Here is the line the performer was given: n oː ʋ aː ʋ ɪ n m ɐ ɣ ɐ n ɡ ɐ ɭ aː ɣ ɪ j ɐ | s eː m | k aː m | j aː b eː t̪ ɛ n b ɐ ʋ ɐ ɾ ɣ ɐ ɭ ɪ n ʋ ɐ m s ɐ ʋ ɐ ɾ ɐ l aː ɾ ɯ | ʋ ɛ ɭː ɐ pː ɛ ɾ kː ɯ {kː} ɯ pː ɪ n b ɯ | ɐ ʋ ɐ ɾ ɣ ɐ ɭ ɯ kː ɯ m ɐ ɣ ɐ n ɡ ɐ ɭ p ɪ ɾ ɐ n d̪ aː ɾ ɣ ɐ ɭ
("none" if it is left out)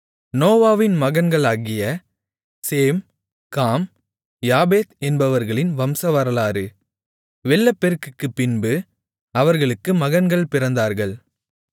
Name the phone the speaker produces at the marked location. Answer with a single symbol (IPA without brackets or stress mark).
kː